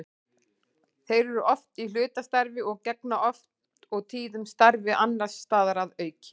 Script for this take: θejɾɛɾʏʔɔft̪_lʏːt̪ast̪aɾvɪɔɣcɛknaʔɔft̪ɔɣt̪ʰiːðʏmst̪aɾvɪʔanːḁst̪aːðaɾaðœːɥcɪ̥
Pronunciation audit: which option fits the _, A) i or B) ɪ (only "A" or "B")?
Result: A